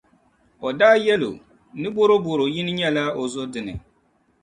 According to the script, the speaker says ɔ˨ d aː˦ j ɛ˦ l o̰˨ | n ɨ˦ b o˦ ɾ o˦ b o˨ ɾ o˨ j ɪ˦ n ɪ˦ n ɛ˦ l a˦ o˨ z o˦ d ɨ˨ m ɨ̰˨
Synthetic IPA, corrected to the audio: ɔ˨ d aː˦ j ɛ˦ l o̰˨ | n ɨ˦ b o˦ ɾ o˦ b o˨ ɾ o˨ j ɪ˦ n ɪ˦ ɲ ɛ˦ l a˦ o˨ z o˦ d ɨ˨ n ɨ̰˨